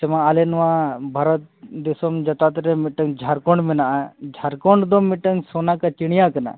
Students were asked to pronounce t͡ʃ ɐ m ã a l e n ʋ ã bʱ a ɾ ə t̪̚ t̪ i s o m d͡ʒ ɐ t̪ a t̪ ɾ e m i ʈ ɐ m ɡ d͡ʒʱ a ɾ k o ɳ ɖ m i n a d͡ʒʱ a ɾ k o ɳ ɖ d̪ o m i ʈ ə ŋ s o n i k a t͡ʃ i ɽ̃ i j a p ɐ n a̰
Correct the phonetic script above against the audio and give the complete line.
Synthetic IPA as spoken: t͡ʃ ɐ m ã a l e n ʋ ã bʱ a ɾ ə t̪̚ d̪ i s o m d͡ʒ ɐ t̪ a t̪ ɾ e m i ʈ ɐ ŋ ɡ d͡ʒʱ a ɾ k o ɳ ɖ m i n a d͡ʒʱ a ɾ k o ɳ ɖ d̪ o m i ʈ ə ŋ s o n a k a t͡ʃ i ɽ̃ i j a k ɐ n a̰